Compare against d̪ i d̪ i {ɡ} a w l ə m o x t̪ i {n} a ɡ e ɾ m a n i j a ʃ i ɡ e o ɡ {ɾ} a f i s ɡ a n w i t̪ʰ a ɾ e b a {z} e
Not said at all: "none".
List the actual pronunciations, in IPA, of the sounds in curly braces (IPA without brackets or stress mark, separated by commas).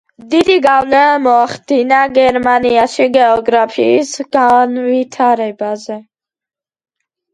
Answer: ɡ, n, ɾ, z